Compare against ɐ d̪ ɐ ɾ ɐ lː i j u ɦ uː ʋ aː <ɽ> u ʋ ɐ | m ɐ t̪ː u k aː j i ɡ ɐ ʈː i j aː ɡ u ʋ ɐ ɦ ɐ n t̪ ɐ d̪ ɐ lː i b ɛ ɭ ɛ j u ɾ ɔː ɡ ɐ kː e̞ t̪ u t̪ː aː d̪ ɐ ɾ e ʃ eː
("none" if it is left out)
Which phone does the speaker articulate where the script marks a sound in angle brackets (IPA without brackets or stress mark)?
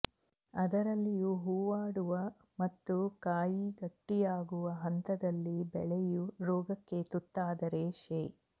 ɽ